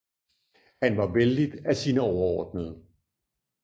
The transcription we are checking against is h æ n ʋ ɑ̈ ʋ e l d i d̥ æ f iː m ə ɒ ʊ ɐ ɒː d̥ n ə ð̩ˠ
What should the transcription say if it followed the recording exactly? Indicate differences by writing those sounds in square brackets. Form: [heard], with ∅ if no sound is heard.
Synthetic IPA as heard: h æ n ʋ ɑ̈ ʋ e l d i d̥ æ [s] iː [n] ə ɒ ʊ ɐ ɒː d̥ n ə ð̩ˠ